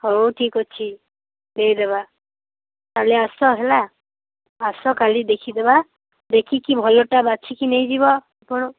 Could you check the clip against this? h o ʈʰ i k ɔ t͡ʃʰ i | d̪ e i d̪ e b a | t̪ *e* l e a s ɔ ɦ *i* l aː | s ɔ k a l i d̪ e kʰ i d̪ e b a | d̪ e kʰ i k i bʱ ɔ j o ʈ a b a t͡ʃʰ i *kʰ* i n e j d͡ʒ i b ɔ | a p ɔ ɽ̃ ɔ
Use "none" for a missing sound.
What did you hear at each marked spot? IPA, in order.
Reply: a, e, k

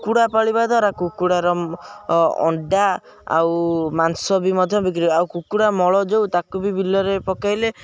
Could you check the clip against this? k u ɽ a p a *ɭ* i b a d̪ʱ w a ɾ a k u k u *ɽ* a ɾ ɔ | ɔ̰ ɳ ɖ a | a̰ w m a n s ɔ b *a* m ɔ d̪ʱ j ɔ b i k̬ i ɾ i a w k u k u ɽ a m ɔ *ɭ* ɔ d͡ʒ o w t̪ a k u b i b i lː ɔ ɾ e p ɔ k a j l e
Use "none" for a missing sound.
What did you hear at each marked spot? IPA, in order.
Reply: ɭ, ɽ, i, ɭ

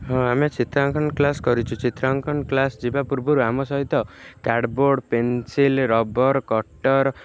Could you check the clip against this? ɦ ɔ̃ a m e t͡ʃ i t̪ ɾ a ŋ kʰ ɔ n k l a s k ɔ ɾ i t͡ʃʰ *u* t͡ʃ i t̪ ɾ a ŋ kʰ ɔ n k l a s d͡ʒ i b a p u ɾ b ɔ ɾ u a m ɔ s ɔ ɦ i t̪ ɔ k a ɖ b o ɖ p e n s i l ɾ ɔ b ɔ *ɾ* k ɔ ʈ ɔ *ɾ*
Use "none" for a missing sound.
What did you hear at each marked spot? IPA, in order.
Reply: u, ɾ, ɾ

